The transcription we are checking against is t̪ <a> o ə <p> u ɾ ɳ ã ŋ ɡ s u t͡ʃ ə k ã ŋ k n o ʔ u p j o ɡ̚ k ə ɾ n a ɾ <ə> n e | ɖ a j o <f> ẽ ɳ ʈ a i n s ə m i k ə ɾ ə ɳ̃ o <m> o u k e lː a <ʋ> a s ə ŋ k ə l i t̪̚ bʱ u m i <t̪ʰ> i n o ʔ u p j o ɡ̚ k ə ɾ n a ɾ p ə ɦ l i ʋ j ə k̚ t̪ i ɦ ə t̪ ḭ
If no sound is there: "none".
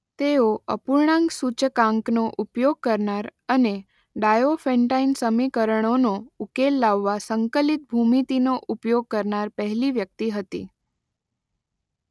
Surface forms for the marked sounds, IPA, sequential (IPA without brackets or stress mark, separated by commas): e, p, ə, f, n, ʋː, t̪